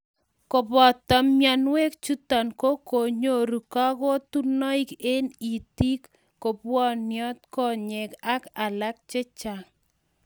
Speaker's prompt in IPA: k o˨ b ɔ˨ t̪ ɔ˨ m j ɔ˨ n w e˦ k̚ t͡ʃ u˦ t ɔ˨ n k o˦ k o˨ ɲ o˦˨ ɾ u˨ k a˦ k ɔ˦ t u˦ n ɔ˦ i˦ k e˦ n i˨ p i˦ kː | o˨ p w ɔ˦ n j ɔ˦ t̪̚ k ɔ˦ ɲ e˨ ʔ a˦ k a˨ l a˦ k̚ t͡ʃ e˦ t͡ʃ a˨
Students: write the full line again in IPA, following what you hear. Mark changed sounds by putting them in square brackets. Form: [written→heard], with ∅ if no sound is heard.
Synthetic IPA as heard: k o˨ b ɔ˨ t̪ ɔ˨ m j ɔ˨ n w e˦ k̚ t͡ʃ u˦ t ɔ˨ n k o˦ k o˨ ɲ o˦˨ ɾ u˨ k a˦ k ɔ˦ t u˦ n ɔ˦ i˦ k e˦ n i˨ [p→t] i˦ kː | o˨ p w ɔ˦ n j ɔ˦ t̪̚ k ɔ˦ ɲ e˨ [ʔ→k] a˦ k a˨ l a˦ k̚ t͡ʃ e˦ t͡ʃ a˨

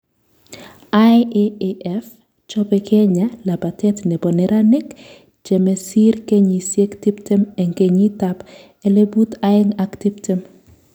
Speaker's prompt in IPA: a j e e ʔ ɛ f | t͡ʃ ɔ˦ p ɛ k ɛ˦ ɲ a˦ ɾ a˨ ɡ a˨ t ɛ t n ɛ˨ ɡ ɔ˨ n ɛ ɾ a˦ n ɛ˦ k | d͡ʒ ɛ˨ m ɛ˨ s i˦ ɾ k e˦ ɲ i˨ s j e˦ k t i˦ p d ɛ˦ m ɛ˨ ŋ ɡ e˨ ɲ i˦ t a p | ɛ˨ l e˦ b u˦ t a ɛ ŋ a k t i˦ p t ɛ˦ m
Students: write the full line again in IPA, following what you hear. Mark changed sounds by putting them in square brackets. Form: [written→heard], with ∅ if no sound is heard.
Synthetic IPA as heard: a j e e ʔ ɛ f | t͡ʃ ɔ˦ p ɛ k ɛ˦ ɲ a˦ [ɾ→l] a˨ [ɡ→b] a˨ t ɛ t n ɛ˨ [ɡ→b] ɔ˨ n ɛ ɾ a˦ n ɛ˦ k | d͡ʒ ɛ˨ m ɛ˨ s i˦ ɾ k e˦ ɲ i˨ s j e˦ k t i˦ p [d→t] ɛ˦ m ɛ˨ ŋ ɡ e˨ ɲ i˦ t a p | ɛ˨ l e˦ b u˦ t a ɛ ŋ a k t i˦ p t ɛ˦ m

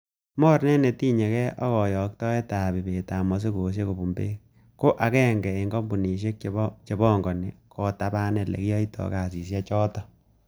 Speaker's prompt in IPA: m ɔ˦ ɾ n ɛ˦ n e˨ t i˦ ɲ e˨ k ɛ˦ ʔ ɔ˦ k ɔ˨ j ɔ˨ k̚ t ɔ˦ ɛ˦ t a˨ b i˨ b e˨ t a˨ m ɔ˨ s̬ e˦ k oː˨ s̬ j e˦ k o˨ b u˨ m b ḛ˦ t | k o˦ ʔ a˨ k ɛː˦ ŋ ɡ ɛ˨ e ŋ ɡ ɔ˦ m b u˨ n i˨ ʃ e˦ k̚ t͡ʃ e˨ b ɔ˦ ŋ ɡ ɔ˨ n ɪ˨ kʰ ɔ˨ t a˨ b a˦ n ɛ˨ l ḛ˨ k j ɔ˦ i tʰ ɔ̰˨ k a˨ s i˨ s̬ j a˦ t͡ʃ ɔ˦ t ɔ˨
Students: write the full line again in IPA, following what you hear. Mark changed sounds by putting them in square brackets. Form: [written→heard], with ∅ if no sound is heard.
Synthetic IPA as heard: m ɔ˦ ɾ n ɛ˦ n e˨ t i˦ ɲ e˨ k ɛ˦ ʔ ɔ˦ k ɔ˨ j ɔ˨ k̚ t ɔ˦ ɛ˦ t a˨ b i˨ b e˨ t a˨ m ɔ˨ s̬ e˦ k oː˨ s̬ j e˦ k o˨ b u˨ m b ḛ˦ [t→∅] | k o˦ ʔ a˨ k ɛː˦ ŋ ɡ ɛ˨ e ŋ ɡ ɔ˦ m b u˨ n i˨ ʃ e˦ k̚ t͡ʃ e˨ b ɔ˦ ŋ ɡ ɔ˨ n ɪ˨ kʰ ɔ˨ t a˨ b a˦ n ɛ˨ l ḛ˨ k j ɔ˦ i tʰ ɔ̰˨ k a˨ s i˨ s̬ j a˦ t͡ʃ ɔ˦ t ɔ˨

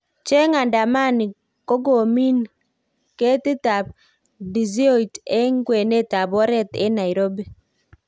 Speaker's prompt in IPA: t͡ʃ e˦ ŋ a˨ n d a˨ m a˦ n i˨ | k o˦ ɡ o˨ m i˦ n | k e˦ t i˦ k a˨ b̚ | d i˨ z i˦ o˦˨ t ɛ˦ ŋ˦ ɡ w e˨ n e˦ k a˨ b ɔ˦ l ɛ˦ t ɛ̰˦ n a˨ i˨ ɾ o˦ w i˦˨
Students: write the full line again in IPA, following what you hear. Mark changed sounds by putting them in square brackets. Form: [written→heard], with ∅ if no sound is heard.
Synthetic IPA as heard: t͡ʃ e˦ ŋ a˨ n d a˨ m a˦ n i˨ | k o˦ ɡ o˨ m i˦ n | k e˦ t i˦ [k→t] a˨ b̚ | d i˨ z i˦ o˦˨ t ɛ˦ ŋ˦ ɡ w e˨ n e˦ [k→t] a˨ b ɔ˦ [l→ɾ] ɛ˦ t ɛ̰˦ n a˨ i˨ ɾ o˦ [w→b] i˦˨

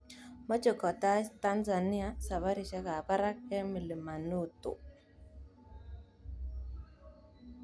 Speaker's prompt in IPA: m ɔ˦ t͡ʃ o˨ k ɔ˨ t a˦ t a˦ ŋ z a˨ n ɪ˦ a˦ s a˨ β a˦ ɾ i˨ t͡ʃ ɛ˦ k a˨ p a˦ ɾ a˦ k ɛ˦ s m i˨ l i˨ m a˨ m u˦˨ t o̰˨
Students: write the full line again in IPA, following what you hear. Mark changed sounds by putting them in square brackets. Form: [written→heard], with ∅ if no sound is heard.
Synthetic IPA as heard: m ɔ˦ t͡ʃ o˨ k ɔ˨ t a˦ t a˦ [ŋ→n] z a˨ n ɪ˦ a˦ s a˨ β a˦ ɾ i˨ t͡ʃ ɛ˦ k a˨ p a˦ ɾ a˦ k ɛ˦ [s→∅] m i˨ l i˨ m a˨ [m→n] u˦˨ t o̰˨

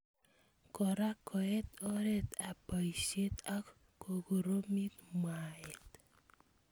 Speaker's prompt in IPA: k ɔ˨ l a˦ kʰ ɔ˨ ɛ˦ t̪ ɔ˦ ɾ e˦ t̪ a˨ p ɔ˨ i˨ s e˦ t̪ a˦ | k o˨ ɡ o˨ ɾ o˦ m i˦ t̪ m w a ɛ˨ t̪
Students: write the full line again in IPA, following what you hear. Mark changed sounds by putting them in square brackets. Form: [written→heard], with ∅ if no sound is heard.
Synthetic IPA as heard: k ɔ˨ [l→ɾ] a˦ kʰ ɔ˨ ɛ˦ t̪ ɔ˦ ɾ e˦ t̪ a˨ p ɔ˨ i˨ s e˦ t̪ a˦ | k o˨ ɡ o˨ ɾ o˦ m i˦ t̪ m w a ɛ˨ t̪

